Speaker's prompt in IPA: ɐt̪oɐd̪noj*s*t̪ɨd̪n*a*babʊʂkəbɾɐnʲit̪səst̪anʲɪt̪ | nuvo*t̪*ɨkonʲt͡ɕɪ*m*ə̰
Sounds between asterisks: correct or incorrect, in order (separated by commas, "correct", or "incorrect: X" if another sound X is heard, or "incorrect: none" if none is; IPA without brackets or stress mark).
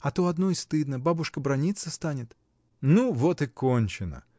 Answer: correct, incorrect: ə, correct, incorrect: n